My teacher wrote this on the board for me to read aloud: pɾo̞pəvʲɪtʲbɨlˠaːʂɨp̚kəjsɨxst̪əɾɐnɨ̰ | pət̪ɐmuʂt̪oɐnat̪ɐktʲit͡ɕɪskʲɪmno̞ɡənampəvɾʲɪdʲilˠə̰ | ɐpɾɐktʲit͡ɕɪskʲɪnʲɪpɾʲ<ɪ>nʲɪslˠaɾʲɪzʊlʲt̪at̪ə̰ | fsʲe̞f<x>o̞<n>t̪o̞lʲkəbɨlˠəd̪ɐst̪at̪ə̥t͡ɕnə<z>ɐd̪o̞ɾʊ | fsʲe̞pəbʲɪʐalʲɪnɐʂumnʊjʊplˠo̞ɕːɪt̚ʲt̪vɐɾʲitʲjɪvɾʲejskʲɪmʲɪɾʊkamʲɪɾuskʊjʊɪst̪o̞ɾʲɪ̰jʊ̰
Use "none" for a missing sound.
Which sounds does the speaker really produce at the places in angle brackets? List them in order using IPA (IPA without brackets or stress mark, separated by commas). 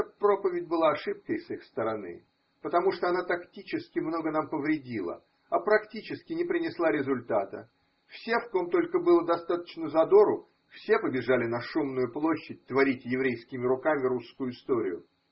ɪ, k, m, z